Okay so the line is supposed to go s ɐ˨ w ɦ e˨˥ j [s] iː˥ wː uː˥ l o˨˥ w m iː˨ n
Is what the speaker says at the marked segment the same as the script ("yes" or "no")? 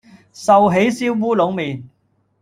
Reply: yes